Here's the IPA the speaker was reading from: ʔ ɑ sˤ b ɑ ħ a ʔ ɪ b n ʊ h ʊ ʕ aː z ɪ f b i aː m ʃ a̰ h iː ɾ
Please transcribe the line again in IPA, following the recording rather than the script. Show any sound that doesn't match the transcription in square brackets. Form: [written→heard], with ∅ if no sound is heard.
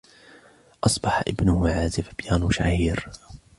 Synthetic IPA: ʔ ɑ sˤ b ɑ ħ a ʔ ɪ b n ʊ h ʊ ʕ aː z ɪ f b [i→j] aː [m→n] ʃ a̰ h iː ɾ